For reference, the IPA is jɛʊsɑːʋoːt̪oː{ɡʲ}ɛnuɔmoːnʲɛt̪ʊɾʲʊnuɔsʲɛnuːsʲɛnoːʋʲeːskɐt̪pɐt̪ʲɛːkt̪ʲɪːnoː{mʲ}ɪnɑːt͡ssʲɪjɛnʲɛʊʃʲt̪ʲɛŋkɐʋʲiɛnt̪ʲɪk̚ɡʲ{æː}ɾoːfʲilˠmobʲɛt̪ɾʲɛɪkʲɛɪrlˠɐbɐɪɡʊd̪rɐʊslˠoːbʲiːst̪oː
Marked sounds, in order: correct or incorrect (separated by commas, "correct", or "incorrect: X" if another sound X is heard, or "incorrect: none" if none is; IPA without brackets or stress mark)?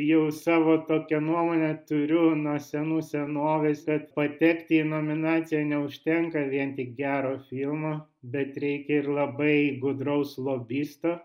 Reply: incorrect: kʲ, correct, correct